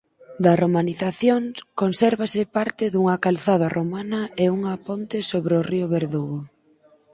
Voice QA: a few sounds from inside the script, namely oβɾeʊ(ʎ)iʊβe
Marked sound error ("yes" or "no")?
yes